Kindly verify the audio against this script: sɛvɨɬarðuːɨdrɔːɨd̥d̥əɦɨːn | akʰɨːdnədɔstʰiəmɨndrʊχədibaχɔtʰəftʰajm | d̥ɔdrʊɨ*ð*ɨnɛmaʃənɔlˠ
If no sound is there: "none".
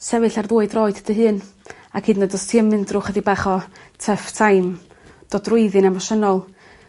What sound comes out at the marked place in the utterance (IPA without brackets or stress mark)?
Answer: ð